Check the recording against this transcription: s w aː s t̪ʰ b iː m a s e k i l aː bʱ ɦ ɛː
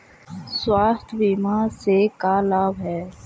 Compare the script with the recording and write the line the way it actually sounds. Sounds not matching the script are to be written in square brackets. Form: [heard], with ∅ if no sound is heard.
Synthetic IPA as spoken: s w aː s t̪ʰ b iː m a s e k [a] l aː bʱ ɦ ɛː